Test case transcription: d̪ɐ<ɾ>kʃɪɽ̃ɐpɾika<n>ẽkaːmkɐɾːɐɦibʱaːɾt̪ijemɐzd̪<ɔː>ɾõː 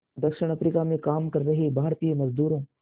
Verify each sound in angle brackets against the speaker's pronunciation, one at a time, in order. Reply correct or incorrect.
incorrect: none, incorrect: m, incorrect: uː

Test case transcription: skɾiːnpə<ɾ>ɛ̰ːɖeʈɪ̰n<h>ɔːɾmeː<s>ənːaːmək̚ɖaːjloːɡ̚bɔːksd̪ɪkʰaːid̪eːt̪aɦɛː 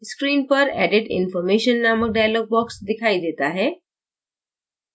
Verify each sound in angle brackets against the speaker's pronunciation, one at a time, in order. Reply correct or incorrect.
correct, incorrect: f, incorrect: ʃ

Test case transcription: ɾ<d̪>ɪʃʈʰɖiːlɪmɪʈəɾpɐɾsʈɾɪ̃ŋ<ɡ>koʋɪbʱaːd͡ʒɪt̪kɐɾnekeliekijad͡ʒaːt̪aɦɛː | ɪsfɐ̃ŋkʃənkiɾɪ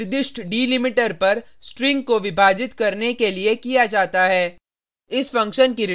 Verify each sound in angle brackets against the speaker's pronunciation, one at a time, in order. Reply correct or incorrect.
correct, correct

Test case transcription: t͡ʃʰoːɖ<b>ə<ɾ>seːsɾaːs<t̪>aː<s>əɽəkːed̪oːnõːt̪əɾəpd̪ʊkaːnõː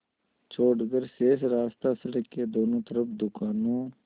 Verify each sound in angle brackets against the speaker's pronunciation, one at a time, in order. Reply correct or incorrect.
incorrect: ɡ, correct, correct, correct

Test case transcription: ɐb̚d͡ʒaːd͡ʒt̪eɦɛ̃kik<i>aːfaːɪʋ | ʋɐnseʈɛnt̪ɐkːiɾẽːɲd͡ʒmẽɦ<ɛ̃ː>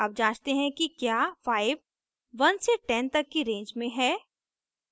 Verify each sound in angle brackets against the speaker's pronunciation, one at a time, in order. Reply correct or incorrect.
incorrect: j, incorrect: ɛː

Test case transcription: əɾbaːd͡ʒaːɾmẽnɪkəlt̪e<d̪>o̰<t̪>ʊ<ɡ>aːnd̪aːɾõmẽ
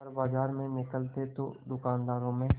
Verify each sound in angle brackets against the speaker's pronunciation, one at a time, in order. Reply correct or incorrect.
incorrect: t̪, incorrect: d̪, incorrect: k

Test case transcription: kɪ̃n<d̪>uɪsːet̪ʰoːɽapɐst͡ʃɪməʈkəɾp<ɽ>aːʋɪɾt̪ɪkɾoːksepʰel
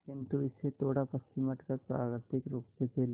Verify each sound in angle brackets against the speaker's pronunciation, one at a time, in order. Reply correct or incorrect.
incorrect: t̪, incorrect: ɾ

